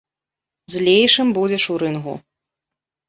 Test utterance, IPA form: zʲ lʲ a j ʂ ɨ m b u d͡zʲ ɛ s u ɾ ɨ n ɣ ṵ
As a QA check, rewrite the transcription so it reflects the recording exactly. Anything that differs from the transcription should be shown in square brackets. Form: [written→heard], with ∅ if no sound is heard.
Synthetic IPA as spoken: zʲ lʲ [a→e] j ʂ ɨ m b u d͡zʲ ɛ [s→ʂ] u ɾ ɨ n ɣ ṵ